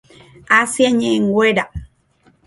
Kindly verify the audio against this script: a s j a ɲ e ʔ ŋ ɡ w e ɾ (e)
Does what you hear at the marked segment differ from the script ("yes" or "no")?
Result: yes